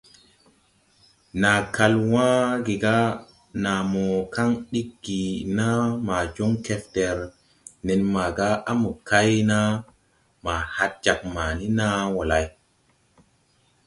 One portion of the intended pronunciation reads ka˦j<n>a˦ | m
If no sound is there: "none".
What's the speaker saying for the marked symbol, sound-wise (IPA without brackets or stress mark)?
n